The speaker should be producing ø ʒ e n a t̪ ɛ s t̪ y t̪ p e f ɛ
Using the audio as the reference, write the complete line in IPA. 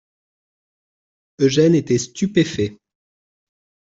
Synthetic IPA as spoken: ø ʒ ɛ n e t̪ ɛ s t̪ y p e f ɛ